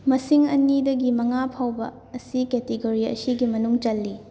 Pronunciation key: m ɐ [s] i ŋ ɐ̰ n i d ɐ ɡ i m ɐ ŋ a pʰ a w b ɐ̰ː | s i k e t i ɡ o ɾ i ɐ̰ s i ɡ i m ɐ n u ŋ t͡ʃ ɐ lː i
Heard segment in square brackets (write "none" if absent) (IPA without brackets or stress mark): s